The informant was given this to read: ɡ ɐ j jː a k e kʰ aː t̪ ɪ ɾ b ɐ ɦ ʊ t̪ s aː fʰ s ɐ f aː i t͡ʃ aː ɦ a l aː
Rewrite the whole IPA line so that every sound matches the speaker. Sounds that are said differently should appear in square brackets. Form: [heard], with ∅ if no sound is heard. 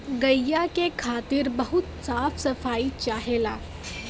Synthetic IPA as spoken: ɡ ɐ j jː a k e kʰ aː t̪ ɪ ɾ b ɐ ɦ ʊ t̪ s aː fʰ s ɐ f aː i t͡ʃ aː ɦ [e] l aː

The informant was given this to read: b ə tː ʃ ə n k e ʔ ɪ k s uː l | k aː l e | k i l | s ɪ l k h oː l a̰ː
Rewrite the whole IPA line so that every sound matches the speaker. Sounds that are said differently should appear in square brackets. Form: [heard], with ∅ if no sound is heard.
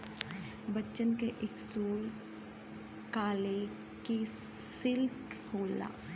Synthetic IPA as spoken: b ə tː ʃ ə n k e ʔ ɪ k s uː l | k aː l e | k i [∅] | s ɪ l k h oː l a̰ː

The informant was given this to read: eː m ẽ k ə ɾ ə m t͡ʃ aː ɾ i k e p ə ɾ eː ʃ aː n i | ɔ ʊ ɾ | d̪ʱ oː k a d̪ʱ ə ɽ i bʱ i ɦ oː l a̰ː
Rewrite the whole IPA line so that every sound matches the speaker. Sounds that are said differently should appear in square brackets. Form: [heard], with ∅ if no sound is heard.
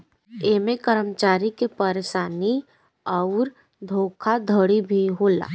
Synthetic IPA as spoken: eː m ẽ k ə ɾ ə m t͡ʃ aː ɾ i k e p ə ɾ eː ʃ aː n i | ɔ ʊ ɾ | d̪ʱ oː [kʰ] a d̪ʱ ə ɽ i bʱ i ɦ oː l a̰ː

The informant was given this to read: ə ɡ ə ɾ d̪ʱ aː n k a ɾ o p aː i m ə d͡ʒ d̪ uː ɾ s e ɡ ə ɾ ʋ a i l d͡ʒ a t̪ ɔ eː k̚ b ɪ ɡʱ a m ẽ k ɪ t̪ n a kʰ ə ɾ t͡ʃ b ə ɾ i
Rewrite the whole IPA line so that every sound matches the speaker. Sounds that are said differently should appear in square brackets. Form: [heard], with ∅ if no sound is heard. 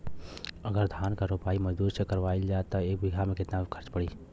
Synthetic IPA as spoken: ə ɡ ə ɾ d̪ʱ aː n k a ɾ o p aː i m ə d͡ʒ d̪ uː ɾ s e [k] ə ɾ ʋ a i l d͡ʒ a t̪ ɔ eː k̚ b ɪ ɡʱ a m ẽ k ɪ t̪ n a kʰ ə ɾ t͡ʃ [p] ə [ɽ] i

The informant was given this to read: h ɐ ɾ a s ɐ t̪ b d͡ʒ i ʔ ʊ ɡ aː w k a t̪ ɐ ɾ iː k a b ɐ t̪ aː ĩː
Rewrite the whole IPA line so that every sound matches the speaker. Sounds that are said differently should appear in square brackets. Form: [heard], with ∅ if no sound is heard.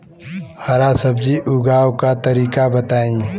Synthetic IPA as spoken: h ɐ ɾ a s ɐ [∅] b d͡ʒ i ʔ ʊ ɡ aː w k a t̪ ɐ ɾ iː k a b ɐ t̪ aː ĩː

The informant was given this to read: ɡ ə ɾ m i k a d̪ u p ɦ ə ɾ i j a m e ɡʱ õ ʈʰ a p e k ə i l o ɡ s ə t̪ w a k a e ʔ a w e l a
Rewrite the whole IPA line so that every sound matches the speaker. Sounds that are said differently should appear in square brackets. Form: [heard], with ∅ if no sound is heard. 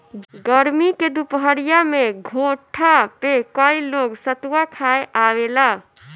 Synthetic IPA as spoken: ɡ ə ɾ m i k [e] d̪ u p ɦ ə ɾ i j a m e ɡʱ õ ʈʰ a p e k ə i l o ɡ s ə t̪ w a [kʰ] a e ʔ a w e l a

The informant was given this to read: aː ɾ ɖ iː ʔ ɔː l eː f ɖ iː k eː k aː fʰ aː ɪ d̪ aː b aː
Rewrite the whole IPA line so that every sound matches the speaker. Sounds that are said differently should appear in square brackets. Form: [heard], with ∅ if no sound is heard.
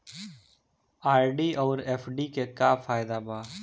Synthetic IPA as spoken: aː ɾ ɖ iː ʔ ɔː [ɾ] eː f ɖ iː k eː k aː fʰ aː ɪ d̪ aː b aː

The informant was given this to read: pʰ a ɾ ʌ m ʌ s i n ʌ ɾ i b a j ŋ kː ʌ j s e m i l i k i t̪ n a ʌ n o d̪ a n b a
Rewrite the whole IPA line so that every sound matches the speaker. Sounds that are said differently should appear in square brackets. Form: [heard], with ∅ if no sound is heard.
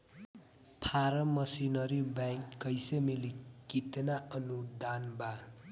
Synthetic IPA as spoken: pʰ a ɾ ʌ m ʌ s i n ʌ ɾ i b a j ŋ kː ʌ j s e m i l i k i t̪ n a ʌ n [u] d̪ a n b a

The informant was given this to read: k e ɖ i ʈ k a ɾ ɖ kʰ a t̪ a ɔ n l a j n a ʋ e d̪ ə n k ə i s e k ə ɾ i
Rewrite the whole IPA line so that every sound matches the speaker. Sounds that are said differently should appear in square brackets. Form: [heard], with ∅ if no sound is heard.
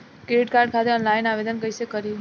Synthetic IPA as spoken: k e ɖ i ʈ k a ɾ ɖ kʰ a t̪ [e] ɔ n l a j n a ʋ e d̪ ə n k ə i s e k ə ɾ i

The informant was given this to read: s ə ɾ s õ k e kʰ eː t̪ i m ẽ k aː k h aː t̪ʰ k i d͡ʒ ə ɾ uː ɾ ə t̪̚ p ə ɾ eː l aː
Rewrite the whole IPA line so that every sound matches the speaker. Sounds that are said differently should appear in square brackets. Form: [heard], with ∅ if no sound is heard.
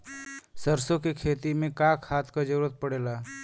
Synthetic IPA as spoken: s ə ɾ s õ k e kʰ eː t̪ i m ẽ k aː k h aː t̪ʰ k [a] d͡ʒ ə ɾ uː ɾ ə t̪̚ p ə [ɽ] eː l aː

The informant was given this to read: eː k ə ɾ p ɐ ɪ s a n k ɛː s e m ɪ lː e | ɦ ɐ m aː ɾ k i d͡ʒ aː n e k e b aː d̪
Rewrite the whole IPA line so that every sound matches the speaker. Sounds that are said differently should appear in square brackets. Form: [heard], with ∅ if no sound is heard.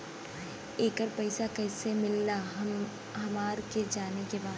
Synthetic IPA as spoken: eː k ə ɾ p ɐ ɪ s a [∅] k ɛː s e m ɪ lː [a] | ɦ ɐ m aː ɾ k [e] d͡ʒ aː n e k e b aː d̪

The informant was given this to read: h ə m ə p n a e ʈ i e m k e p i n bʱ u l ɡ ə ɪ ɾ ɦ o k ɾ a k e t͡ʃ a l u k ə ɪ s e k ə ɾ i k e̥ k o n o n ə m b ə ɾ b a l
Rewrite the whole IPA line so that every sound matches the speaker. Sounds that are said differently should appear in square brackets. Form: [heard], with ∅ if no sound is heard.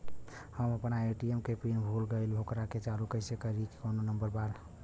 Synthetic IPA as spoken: h ə m ə p n a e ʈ i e m k e p i n bʱ u l ɡ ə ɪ [l] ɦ o k ɾ a k e t͡ʃ a l u k ə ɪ s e k ə ɾ i k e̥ k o n o n ə m b ə ɾ b a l

